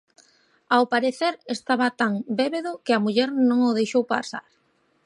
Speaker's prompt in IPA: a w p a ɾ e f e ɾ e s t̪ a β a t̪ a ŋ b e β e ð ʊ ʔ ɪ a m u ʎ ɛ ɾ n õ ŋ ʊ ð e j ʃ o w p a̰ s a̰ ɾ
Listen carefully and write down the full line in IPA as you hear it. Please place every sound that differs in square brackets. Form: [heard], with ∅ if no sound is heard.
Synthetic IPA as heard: a w p a ɾ e [θ] e ɾ e s t̪ a β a t̪ a ŋ b e β e ð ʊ [k] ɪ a m u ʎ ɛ ɾ n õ ŋ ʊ ð e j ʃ o w p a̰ s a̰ ɾ